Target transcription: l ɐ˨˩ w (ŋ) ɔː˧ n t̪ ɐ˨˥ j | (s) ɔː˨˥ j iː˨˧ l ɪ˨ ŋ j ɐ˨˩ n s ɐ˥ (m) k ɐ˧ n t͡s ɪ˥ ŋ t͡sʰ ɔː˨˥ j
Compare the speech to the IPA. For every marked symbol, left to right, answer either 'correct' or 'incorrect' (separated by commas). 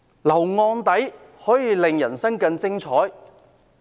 correct, incorrect, incorrect